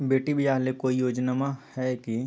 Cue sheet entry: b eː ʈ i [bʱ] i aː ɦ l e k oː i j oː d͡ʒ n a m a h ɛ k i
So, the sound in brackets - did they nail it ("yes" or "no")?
yes